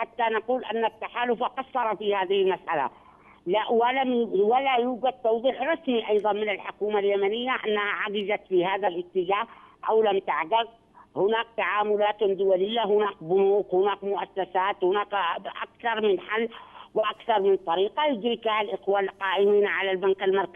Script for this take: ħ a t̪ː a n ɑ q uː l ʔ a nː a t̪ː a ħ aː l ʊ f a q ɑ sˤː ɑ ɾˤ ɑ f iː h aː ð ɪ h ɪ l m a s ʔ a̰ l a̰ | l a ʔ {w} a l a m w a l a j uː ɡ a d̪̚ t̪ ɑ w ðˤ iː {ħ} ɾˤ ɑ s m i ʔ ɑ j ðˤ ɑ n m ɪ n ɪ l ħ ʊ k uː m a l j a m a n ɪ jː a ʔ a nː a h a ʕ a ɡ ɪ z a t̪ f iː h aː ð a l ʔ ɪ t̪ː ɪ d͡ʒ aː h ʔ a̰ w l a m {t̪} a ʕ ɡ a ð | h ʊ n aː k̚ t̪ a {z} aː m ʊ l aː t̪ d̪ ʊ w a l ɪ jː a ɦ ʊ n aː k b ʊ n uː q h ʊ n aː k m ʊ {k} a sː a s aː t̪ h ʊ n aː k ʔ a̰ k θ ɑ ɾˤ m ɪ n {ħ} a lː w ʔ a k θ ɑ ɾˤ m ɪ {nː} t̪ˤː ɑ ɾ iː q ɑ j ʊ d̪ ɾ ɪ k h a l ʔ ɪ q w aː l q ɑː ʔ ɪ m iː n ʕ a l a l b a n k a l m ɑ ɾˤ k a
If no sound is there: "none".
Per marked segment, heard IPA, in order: w, ħ, t̪, ʕ, ʔ, ħ, n

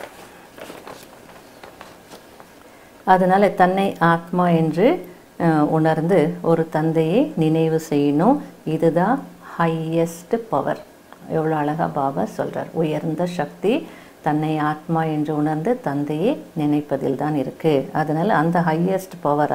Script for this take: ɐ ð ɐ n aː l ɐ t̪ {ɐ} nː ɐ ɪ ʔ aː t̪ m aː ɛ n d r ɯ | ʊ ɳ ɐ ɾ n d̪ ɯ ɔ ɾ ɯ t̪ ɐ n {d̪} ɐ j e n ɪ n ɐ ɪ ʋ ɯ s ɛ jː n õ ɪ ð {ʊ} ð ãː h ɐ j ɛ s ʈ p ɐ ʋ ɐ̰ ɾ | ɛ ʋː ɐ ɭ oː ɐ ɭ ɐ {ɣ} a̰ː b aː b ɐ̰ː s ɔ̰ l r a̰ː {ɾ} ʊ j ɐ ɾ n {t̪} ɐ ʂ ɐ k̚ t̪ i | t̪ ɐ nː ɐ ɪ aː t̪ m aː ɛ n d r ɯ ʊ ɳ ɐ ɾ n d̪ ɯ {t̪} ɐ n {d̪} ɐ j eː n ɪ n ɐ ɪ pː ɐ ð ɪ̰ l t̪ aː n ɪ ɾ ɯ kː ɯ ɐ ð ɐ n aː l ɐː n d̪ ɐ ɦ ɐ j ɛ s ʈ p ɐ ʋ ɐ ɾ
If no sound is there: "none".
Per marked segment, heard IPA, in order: ɐ, d̪, ɯ, ɣ, ɾ, d̪, t̪, d̪

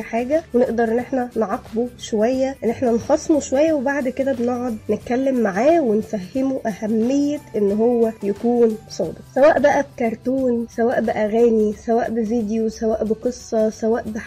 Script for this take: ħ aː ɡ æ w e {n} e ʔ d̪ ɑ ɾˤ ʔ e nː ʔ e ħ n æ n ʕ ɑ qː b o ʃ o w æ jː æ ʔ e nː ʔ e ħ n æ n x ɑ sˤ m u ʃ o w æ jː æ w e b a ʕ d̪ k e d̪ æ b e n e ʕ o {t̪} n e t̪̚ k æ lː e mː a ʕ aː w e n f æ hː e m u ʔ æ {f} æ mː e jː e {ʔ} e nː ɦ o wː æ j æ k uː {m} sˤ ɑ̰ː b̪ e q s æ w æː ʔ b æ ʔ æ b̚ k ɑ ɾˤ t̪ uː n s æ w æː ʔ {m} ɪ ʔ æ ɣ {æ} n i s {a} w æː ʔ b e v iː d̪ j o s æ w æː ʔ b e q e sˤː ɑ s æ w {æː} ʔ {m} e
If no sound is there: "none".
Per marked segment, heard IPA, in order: n, d̪, h, ʔ, n, b, æː, æ, æː, b

